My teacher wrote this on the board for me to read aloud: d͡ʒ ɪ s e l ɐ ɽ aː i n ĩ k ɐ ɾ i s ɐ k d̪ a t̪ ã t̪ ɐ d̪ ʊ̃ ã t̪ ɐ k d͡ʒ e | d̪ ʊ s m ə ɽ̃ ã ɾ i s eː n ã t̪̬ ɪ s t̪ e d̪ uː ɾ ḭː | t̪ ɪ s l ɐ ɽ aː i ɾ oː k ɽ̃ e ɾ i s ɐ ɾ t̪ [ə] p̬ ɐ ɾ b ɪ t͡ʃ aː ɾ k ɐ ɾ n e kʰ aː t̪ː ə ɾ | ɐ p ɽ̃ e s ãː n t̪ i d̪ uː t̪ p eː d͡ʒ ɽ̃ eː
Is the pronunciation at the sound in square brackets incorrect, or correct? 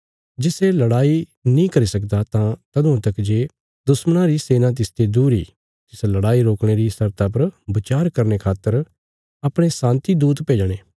incorrect